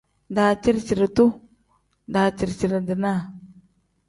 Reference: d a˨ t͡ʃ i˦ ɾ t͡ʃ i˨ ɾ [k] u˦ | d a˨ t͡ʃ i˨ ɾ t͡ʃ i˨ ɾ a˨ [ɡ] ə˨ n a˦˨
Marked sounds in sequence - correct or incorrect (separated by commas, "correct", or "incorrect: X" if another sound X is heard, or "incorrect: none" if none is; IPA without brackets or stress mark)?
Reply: incorrect: t, incorrect: d